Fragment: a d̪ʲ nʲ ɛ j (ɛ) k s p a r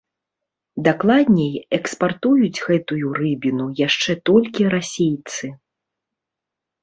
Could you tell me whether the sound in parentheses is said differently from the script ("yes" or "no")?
no